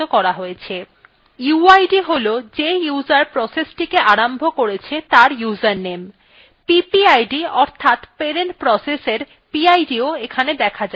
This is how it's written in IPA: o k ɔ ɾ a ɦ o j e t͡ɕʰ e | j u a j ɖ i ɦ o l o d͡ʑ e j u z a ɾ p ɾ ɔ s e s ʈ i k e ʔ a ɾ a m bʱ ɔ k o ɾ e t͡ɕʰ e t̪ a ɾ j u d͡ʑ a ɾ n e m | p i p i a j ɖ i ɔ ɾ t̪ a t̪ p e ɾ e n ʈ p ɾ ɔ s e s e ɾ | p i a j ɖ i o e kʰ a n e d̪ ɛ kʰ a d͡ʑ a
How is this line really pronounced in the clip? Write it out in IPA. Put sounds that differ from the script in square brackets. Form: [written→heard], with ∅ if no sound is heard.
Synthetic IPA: o k ɔ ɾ a ɦ o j e t͡ɕʰ e | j u a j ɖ i ɦ o l o d͡ʑ e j u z a ɾ p ɾ ɔ s e s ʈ i k e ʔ a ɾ a m bʱ [ɔ→o] k o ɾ e t͡ɕʰ e t̪ a ɾ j u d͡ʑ a ɾ n e m | p i p i a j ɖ i ɔ ɾ [t̪→t̪ʰ] a t̪ p e ɾ e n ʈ p ɾ ɔ s e s e ɾ | p i a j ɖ i o e kʰ a n e d̪ ɛ kʰ a d͡ʑ a